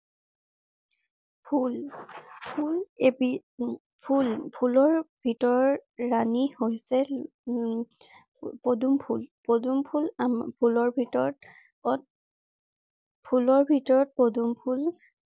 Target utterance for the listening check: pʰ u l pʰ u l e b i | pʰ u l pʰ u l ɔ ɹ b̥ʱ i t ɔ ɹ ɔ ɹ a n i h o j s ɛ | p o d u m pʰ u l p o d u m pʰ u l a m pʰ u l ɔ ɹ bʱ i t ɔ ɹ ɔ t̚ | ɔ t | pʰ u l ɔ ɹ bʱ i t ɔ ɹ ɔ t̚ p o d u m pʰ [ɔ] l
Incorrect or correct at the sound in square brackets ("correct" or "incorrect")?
incorrect